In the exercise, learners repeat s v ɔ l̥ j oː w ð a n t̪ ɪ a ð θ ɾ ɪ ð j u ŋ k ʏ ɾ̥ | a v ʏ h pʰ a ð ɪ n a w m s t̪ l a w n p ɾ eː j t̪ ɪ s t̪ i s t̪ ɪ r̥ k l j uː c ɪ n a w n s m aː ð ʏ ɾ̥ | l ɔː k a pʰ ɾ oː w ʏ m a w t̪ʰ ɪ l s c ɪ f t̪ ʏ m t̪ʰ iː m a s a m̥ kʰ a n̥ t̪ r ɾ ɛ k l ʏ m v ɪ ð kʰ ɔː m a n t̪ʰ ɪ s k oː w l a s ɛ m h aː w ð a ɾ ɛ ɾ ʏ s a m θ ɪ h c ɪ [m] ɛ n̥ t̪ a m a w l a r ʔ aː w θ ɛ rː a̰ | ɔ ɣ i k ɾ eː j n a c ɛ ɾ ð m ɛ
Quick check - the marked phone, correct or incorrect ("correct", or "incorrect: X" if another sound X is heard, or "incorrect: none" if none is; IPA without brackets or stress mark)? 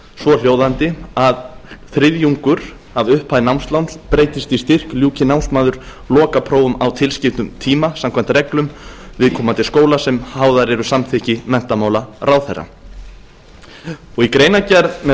correct